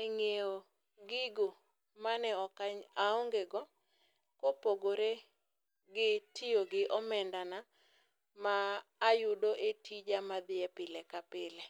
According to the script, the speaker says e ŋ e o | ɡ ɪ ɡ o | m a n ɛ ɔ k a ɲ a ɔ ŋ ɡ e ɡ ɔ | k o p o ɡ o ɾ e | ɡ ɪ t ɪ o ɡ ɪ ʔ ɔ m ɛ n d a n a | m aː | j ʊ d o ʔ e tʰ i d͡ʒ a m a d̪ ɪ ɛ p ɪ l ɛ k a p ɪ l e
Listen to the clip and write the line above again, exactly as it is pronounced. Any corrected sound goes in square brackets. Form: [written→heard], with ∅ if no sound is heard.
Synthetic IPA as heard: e ŋ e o | ɡ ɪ ɡ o | m a n ɛ ɔ k a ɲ a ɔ ŋ ɡ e ɡ ɔ | k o p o ɡ o ɾ e | ɡ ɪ t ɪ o ɡ ɪ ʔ ɔ m ɛ n d a n a | m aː | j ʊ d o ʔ e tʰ i d͡ʒ a m a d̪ ɪ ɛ p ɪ l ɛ k a p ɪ l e